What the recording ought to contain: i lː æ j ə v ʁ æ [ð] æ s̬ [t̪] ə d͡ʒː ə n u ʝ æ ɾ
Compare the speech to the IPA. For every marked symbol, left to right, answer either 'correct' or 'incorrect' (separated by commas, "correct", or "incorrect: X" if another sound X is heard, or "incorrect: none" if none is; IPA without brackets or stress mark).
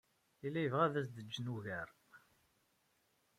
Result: correct, incorrect: d̪